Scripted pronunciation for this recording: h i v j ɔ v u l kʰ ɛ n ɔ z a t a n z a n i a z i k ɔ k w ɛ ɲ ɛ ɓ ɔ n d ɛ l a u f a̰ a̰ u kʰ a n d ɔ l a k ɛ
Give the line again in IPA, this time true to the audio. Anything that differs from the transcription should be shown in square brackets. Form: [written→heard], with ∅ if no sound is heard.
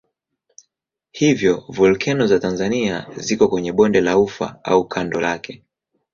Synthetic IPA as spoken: h i v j ɔ v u l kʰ ɛ n ɔ z a t a n z a n i a z i k ɔ k w ɛ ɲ ɛ ɓ ɔ n d ɛ l a u f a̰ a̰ u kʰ a n d ɔ l a k ɛ